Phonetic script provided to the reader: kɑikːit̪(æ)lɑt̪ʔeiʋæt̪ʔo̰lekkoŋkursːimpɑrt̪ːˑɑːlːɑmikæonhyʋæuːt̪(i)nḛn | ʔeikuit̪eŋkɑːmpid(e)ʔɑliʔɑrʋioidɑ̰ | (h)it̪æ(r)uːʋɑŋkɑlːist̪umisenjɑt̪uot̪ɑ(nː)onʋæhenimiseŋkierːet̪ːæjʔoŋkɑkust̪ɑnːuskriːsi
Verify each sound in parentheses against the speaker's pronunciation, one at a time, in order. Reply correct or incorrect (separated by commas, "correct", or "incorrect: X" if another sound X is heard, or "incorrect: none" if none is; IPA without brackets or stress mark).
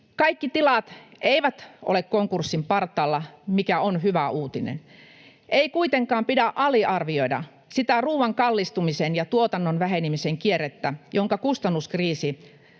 incorrect: i, correct, incorrect: æ, incorrect: s, correct, correct